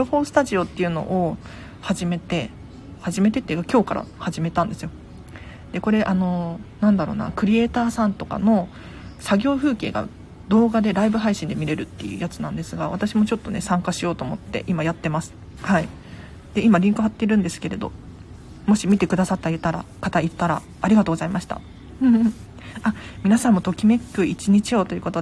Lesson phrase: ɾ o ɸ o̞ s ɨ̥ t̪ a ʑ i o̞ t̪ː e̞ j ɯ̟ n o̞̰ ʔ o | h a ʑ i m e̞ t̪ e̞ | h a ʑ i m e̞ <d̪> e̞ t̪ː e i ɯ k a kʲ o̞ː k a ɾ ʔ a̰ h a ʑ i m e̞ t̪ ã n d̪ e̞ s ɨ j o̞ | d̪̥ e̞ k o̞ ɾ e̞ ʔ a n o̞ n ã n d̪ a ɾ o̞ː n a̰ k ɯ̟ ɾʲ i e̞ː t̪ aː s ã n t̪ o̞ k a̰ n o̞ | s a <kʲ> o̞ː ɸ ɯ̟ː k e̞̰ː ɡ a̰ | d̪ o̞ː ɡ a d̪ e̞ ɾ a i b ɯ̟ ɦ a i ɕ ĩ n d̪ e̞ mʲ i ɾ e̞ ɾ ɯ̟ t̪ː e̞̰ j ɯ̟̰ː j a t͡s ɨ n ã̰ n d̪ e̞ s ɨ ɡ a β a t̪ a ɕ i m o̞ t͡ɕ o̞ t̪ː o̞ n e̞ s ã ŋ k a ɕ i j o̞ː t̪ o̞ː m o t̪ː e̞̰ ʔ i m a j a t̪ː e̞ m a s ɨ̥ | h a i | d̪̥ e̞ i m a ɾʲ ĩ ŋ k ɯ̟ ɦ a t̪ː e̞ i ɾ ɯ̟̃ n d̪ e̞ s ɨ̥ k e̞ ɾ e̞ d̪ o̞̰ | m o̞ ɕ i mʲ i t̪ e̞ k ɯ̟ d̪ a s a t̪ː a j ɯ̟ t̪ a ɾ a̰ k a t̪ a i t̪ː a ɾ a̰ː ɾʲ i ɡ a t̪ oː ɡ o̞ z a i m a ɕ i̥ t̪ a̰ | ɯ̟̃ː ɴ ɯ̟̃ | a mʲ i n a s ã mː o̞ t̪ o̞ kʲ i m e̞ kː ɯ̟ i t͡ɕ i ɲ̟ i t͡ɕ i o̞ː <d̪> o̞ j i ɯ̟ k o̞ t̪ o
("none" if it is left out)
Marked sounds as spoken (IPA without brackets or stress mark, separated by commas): t̪, ɡʲ, t̪